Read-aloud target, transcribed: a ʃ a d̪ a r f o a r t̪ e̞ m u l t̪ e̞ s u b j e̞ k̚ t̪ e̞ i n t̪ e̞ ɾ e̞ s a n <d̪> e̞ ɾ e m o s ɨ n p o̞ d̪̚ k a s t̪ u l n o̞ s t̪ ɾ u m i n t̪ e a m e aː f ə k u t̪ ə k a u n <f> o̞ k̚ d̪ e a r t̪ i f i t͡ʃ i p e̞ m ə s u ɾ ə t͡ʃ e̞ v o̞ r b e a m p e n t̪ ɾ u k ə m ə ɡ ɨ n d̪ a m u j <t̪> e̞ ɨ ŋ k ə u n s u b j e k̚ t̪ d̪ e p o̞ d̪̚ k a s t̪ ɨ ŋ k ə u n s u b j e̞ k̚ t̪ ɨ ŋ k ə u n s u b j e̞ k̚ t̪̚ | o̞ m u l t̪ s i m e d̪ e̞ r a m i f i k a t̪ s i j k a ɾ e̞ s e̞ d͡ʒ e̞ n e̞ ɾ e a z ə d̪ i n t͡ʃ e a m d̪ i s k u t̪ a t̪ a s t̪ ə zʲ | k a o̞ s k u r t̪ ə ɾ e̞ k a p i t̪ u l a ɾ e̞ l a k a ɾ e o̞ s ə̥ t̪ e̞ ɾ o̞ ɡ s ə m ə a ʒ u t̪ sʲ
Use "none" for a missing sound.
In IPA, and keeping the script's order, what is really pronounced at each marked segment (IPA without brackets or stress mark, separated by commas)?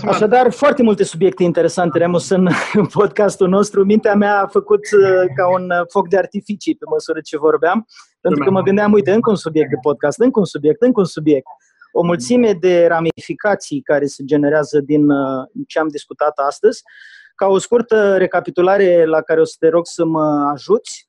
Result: t̪, f, t̪